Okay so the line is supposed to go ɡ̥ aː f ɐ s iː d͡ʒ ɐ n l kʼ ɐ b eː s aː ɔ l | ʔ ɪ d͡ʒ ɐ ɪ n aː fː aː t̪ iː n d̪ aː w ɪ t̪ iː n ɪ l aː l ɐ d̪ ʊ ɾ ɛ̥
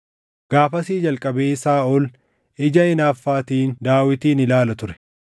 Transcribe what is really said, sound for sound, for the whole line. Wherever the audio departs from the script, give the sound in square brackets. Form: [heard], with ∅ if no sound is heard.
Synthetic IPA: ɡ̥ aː f ɐ s iː d͡ʒ ɐ [∅] l kʼ ɐ b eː s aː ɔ l | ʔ ɪ d͡ʒ ɐ ɪ n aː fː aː t̪ iː n d̪ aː w ɪ t̪ iː n ɪ l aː l ɐ [t̪] ʊ ɾ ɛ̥